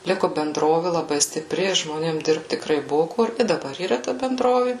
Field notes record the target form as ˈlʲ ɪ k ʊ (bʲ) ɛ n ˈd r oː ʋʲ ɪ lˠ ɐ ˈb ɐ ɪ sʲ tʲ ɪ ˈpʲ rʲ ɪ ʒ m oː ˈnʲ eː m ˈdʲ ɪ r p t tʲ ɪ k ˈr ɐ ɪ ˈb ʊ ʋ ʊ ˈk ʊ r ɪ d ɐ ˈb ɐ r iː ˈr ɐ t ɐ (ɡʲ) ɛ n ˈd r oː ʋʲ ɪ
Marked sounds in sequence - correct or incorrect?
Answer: correct, incorrect: bʲ

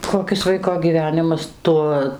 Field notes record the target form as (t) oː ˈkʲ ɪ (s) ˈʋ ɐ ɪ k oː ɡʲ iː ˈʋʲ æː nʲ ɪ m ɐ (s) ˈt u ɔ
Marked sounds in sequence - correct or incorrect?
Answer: incorrect: k, correct, correct

